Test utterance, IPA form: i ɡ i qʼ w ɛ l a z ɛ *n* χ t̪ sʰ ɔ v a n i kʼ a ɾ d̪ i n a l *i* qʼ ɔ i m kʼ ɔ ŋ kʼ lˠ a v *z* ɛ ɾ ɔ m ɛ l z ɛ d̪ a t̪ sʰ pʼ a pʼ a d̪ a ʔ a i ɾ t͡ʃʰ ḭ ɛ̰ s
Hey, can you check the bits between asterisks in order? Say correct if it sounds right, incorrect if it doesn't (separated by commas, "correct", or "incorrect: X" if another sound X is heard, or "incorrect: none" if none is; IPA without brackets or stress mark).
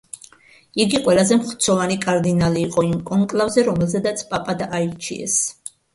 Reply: incorrect: m, incorrect: iː, correct